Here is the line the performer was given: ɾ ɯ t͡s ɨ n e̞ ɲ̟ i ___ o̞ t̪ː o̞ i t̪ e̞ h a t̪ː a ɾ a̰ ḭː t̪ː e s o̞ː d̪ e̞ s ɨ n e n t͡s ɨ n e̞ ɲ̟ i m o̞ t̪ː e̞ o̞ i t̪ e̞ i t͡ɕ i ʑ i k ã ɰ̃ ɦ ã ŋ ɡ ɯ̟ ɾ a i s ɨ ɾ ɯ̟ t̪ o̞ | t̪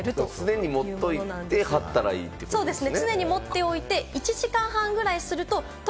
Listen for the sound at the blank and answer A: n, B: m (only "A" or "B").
B